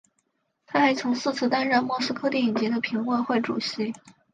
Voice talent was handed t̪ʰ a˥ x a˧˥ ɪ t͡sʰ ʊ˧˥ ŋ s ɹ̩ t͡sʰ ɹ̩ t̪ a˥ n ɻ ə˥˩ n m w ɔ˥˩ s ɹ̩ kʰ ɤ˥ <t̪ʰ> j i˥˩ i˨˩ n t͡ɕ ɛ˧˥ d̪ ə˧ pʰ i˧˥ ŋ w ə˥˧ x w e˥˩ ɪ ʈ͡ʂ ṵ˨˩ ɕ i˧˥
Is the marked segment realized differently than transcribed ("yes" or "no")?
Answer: yes